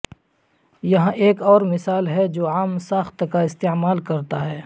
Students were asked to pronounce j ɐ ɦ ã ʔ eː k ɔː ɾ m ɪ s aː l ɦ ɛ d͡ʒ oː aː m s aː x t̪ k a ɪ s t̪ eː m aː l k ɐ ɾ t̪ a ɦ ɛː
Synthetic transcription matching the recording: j ɐ ɦ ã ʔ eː k ɔː ɾ m ɪ s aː l ɦ ɛ d͡ʒ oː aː m s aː x t̪ k a ɪ s t̪ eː m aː l k ɐ ɾ t̪ a ɦ ɛː